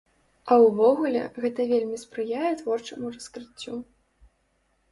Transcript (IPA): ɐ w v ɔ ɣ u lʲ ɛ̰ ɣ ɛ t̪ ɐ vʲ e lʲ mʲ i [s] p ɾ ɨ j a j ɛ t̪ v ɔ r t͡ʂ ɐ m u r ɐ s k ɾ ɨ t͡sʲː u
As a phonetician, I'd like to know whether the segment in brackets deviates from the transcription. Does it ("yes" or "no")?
no